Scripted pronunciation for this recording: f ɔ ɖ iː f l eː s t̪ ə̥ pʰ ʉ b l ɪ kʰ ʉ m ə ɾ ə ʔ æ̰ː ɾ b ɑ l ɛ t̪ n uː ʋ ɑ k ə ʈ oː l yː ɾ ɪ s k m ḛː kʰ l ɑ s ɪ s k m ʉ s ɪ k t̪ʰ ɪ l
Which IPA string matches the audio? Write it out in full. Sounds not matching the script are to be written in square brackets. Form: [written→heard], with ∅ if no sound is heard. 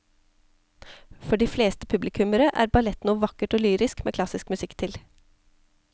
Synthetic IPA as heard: f ɔ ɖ iː f l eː s t̪ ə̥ pʰ ʉ b l ɪ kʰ ʉ m ə ɾ ə ʔ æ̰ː ɾ b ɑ l ɛ t̪ n uː ʋ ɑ k ə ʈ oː l yː ɾ ɪ s k m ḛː kʰ l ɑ s ɪ s k m ʉ s ɪ k t̪ʰ ɪ l